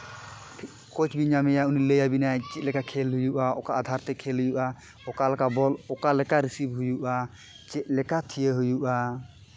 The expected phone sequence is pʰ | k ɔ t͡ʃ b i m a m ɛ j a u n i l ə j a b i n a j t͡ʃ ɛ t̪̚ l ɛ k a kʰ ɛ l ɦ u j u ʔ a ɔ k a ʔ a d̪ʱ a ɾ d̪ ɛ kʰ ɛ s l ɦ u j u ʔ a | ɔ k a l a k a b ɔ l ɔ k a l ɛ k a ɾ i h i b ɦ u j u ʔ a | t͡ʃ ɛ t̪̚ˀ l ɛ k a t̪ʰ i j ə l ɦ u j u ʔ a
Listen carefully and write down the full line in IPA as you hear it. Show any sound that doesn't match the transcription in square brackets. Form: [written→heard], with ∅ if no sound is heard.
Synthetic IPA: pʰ | k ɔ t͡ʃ b i [m→ɲ] a m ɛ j a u n i l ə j a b i n a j t͡ʃ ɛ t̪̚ l ɛ k a kʰ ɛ l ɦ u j u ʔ a ɔ k a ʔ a d̪ʱ a ɾ [d̪→t̪] ɛ kʰ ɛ [s→∅] l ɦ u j u ʔ a | ɔ k a l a k a b ɔ l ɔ k a l ɛ k a ɾ i [h→s] i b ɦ u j u ʔ a | t͡ʃ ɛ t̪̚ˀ l ɛ k a t̪ʰ i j ə [l→∅] ɦ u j u ʔ a